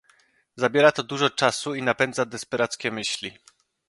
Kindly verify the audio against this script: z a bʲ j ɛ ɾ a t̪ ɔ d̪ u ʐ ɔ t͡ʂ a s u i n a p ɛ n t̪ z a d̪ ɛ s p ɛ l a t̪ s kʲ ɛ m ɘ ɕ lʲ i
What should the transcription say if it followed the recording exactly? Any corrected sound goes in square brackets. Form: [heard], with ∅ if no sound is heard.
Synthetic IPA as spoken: z a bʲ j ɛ ɾ a t̪ ɔ d̪ u ʐ ɔ t͡ʂ a s u i n a p ɛ n [d̪] z a d̪ ɛ s p ɛ [ɾ] a t̪ s kʲ ɛ m ɘ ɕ lʲ i